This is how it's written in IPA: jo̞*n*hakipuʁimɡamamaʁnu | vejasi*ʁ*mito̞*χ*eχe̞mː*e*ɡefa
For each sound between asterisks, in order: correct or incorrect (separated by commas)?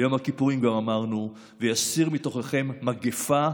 incorrect, correct, correct, incorrect